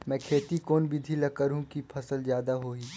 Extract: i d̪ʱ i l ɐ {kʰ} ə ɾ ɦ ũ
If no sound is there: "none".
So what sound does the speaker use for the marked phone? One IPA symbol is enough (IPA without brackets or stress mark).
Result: k